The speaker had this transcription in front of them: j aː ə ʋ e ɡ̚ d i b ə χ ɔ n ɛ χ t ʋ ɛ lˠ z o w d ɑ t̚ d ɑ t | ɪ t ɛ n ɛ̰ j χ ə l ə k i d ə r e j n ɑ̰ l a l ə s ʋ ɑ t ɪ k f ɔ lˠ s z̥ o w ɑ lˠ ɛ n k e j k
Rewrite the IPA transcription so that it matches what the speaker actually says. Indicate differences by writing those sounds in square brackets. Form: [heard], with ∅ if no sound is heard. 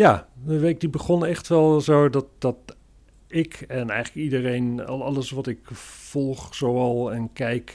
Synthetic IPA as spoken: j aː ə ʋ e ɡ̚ d i b ə χ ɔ n ɛ χ t ʋ ɛ lˠ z o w d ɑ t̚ d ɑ t | ɪ [k] ɛ n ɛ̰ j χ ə l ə k i d ə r e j n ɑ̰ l [ɑ] l ə s ʋ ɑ t ɪ k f ɔ lˠ [χ] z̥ o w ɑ lˠ ɛ n k [ɛ] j k